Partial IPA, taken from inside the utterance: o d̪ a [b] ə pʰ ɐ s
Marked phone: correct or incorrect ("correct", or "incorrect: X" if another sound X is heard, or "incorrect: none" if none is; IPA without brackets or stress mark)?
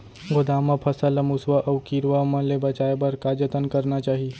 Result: incorrect: m